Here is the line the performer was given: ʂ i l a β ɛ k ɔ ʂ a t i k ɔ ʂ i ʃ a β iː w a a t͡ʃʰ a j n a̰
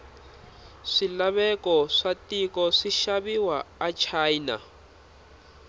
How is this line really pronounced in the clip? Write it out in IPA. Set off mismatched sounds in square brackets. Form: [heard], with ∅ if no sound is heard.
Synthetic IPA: ʂ i l a β ɛ k ɔ ʂ a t i k ɔ ʂ i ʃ a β [i] w a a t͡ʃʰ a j n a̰